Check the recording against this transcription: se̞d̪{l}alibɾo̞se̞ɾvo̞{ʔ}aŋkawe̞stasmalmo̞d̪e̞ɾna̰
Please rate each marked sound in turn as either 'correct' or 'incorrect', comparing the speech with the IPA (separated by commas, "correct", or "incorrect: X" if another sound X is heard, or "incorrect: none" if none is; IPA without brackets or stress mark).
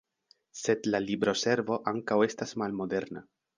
correct, correct